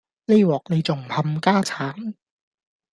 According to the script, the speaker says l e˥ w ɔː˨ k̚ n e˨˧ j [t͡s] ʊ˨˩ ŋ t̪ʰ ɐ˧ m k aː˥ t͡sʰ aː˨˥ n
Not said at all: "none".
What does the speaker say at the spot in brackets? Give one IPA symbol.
t͡s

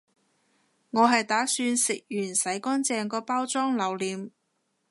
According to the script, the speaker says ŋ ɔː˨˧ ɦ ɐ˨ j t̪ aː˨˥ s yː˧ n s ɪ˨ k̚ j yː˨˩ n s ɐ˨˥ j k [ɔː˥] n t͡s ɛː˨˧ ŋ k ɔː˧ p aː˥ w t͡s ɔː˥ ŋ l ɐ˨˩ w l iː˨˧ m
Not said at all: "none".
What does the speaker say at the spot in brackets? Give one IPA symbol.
ɔː˥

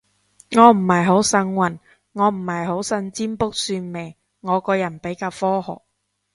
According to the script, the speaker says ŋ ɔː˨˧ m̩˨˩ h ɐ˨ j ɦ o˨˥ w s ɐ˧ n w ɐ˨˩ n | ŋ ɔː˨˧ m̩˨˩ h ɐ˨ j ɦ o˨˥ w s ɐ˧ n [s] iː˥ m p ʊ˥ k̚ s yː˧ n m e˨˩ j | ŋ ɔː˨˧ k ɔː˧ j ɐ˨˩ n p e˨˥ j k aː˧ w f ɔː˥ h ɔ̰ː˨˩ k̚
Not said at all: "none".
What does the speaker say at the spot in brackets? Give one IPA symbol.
t͡s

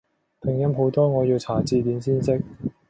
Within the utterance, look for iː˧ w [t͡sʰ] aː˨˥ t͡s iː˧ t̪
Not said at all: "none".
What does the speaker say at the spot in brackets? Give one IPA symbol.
t͡sʰ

